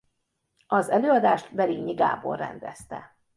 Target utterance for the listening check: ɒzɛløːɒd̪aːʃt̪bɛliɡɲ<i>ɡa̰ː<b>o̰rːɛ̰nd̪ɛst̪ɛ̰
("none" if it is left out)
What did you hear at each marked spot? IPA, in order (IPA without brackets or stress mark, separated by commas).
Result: i, b